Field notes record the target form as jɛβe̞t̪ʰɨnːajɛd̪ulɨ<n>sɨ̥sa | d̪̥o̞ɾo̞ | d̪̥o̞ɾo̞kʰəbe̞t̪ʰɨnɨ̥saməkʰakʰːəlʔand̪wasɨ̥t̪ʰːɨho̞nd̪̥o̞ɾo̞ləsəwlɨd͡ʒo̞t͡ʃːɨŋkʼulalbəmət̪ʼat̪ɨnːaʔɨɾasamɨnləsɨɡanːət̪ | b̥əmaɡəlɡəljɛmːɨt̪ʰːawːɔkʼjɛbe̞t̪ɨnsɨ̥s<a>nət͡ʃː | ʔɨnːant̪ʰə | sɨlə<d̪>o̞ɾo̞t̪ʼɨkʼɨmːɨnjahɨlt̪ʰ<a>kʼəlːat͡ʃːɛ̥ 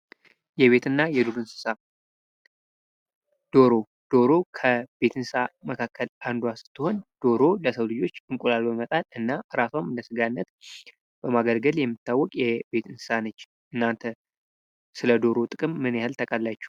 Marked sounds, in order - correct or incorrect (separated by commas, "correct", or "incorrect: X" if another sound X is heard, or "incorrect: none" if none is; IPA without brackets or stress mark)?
correct, correct, correct, incorrect: ə